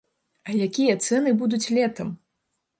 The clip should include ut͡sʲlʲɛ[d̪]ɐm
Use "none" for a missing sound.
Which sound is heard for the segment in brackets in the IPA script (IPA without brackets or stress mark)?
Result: t̪